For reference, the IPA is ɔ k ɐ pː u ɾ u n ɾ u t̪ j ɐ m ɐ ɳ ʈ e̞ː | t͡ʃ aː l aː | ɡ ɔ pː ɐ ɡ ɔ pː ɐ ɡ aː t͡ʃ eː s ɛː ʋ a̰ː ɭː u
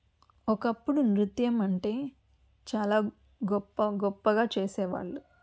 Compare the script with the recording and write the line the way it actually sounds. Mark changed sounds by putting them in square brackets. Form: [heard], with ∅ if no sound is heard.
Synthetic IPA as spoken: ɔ k ɐ pː u [ɽ] u n ɾ u t̪ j ɐ m ɐ ɳ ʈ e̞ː | t͡ʃ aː l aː | ɡ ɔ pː ɐ ɡ ɔ pː ɐ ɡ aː t͡ʃ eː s ɛː ʋ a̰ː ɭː u